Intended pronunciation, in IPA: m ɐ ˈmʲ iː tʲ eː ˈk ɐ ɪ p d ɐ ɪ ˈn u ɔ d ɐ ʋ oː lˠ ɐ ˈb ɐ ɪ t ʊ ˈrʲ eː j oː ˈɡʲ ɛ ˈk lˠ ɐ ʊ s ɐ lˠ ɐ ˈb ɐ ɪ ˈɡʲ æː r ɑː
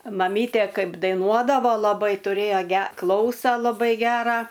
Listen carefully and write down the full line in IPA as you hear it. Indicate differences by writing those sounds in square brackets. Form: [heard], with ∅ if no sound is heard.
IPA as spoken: m ɐ ˈmʲ iː tʲ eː ˈk ɐ ɪ p d ɐ ɪ ˈn u ɔ d ɐ ʋ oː lˠ ɐ ˈb ɐ ɪ t ʊ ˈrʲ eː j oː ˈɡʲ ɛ ˈk lˠ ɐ ʊ s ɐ lˠ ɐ ˈb ɐ ɪ ˈɡʲ æː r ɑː